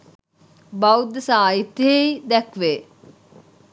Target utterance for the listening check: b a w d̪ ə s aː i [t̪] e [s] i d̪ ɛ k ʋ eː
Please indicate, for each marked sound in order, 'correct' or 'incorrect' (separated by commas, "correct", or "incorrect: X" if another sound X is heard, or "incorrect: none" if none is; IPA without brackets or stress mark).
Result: correct, incorrect: none